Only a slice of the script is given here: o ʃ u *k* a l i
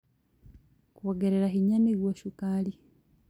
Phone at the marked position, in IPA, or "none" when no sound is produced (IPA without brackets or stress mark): k